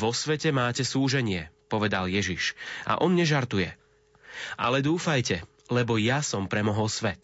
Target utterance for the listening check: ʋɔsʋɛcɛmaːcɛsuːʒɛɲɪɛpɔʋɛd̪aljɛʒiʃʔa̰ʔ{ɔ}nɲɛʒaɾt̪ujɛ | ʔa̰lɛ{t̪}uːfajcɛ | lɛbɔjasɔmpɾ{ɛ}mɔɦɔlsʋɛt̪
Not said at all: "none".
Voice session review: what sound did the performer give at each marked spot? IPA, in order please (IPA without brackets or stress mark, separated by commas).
ɔ, d̪, ɛ